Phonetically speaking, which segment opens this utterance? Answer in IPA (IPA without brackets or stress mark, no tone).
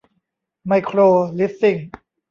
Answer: m